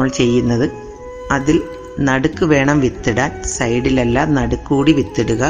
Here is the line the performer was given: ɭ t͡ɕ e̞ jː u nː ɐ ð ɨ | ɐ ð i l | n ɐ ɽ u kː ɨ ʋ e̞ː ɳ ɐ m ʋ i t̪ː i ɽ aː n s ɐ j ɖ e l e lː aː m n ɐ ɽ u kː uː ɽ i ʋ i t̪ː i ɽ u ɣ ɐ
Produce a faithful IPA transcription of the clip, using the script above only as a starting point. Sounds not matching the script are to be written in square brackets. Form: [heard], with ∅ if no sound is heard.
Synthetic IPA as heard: ɭ t͡ɕ e̞ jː u nː ɐ ð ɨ | ɐ ð i l | n ɐ ɽ u kː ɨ ʋ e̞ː ɳ ɐ m ʋ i t̪ː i ɽ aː n s ɐ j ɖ [i] l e lː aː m n ɐ ɽ u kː uː ɽ i ʋ i t̪ː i ɽ u ɣ ɐ